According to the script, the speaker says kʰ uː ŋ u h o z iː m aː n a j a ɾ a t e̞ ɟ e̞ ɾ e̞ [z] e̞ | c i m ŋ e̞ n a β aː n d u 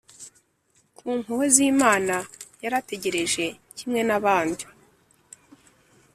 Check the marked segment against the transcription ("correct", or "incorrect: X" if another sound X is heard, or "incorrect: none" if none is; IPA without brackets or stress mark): incorrect: ʒ